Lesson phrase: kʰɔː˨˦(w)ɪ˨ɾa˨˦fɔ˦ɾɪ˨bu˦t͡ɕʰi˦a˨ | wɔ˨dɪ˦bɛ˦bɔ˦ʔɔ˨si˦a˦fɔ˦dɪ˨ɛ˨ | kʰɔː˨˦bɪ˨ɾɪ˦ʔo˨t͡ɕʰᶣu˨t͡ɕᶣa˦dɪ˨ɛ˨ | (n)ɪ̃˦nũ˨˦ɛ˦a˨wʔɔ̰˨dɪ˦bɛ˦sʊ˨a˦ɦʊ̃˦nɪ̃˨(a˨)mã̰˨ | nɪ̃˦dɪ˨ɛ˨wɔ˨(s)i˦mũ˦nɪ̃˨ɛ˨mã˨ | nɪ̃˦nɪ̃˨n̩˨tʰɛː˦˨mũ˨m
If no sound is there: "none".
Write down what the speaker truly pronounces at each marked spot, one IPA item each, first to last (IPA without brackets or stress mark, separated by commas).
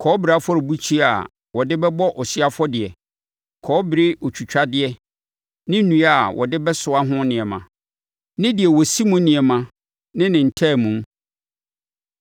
b, n, ɛ˨, s